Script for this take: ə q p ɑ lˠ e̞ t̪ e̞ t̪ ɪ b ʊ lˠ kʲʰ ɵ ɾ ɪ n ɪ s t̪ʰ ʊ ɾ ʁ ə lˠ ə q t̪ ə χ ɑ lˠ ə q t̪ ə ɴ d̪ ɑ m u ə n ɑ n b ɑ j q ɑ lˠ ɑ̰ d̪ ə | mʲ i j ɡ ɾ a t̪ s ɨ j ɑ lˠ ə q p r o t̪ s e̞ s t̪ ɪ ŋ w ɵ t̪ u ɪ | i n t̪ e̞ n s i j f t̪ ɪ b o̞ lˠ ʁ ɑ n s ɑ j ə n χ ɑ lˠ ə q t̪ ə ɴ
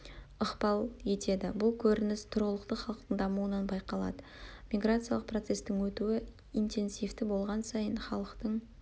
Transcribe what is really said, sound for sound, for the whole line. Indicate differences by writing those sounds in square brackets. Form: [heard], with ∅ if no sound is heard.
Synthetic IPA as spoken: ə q p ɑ lˠ e̞ t̪ e̞ [d̪] ɪ b ʊ lˠ kʲʰ ɵ ɾ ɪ n ɪ s t̪ʰ ʊ ɾ ʁ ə lˠ ə q t̪ ə χ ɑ lˠ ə q t̪ ə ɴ d̪ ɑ m u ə n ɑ n b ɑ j q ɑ lˠ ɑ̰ d̪ ə | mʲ i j ɡ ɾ a t̪ s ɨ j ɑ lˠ ə q p r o t̪ s e̞ s t̪ ɪ ŋ w ɵ t̪ u ɪ | i n t̪ e̞ n s i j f t̪ ɪ b o̞ lˠ ʁ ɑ n s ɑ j ə n χ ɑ lˠ ə q t̪ ə ɴ